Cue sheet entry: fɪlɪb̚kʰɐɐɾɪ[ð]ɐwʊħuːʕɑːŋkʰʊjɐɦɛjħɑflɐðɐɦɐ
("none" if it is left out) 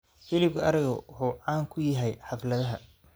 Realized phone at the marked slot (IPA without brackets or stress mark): ɣ